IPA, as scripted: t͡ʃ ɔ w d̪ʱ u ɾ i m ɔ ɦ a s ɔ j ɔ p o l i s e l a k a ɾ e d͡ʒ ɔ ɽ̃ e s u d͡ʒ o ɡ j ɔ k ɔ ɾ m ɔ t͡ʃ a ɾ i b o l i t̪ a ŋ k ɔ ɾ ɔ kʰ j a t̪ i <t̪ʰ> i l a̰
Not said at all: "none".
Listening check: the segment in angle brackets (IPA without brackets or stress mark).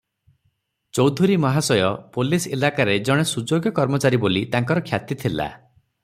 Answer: t̪ʰ